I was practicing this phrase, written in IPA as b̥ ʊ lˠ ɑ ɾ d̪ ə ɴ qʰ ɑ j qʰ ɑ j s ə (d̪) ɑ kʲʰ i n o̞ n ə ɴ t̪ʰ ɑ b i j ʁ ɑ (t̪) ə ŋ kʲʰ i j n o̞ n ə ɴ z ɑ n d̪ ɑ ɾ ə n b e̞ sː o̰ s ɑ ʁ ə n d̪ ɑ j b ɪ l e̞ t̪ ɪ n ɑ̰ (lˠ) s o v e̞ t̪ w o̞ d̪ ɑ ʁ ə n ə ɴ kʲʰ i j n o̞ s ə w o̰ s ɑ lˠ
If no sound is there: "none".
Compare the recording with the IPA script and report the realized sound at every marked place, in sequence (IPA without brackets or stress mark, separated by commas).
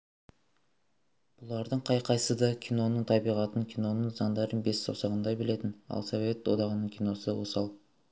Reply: d̪, t̪, lˠ